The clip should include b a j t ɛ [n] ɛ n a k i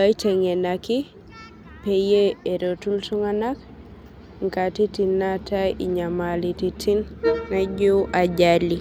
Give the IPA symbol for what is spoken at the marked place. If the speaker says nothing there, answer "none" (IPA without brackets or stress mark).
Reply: ŋ